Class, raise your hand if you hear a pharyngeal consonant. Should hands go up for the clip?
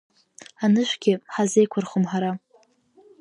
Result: yes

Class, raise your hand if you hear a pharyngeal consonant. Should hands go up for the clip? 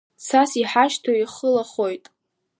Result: yes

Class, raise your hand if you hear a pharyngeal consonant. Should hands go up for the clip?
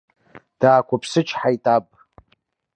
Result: yes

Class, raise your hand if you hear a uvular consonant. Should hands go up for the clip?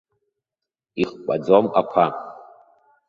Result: yes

